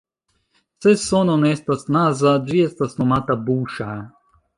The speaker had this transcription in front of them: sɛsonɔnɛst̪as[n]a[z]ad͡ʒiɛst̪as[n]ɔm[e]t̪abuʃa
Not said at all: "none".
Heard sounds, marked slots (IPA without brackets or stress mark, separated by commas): n, z, n, a